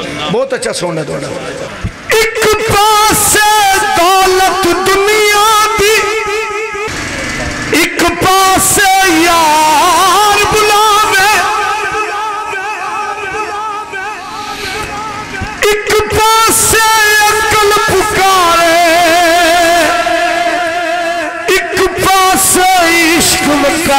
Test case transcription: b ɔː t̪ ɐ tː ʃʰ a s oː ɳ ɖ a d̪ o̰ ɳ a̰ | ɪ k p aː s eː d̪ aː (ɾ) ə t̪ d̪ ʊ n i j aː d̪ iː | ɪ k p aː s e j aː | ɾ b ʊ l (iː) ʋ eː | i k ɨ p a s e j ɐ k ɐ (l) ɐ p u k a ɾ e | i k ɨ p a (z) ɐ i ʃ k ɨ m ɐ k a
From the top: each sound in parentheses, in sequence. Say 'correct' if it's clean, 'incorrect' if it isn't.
incorrect, incorrect, correct, incorrect

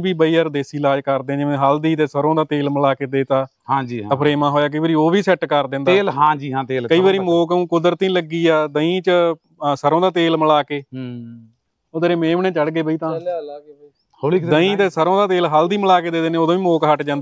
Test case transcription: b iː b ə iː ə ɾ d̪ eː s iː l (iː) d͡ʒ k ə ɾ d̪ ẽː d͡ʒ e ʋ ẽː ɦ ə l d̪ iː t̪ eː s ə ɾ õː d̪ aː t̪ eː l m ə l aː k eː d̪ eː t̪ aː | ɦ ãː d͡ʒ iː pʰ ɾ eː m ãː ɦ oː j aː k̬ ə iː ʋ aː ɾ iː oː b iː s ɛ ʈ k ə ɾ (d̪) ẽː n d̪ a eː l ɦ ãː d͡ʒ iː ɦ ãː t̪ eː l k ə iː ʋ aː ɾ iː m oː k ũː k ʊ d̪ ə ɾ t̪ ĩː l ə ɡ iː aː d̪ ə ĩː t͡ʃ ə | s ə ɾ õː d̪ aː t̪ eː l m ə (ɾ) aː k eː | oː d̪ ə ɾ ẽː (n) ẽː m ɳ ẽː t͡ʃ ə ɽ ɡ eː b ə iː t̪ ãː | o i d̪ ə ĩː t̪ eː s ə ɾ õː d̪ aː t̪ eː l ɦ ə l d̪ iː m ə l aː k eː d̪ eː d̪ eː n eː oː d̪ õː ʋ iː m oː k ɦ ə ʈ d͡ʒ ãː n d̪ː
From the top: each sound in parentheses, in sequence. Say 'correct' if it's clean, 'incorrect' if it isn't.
incorrect, correct, incorrect, incorrect

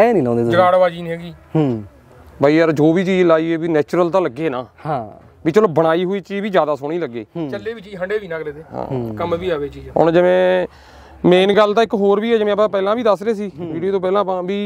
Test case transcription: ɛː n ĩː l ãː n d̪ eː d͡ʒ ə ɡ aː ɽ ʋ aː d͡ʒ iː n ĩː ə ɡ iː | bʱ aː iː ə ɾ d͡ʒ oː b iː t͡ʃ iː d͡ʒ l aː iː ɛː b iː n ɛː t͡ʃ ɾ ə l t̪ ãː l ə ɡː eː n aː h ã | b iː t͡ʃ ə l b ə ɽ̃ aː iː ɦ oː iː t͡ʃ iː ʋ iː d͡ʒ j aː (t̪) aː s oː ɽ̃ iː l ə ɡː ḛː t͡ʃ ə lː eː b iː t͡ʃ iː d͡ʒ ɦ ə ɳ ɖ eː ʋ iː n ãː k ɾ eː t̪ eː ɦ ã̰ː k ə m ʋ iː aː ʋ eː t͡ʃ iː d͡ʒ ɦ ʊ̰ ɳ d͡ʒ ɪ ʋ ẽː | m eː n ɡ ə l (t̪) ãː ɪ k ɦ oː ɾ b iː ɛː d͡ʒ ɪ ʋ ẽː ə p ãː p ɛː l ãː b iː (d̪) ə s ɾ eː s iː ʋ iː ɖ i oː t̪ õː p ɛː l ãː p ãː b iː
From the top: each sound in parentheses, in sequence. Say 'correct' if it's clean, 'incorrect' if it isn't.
incorrect, correct, correct

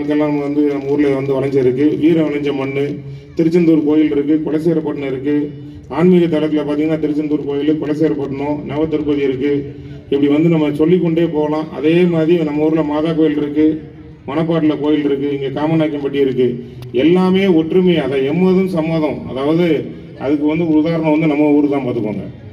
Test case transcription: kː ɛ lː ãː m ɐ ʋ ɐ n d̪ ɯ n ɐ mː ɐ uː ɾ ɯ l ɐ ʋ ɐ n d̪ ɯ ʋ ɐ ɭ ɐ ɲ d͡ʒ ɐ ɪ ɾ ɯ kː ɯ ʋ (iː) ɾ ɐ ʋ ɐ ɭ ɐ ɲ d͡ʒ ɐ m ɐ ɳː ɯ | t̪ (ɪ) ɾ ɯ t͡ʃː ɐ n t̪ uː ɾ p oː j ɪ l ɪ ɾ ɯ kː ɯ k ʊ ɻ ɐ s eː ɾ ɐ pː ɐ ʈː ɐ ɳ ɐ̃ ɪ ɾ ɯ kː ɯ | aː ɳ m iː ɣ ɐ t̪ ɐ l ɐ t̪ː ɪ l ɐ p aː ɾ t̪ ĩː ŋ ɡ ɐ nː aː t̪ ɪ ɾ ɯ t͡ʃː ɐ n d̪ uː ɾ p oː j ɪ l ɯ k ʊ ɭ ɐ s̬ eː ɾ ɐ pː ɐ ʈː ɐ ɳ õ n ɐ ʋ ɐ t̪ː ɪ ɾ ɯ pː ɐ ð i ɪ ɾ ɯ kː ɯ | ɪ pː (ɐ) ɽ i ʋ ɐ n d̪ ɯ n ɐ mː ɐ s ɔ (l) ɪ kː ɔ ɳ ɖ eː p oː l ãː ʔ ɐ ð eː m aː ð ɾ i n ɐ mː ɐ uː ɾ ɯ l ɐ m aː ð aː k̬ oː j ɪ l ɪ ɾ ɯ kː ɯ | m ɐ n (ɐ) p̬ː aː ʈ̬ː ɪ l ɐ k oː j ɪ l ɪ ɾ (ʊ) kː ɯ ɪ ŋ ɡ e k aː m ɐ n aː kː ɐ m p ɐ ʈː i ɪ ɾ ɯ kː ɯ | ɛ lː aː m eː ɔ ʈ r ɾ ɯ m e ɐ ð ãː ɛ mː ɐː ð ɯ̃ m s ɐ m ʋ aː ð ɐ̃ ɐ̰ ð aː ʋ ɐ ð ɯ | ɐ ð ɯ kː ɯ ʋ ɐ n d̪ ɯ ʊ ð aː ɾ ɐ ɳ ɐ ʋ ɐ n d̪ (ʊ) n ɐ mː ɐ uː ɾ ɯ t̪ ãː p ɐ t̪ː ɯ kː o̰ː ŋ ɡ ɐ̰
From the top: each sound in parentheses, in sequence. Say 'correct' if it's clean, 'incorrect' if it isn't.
correct, correct, correct, incorrect, correct, incorrect, incorrect

